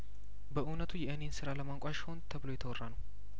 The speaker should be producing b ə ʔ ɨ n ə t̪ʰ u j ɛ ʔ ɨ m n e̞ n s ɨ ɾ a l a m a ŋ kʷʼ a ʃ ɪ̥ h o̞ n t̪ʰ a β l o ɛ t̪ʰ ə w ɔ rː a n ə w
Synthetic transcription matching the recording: b ə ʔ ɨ n ə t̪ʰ u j ɛ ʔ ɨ n e̞ n s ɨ ɾ a l ə m a ŋ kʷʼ a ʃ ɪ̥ h o̞ n t̪ʰ ə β l o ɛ t̪ʰ ə w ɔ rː a n ə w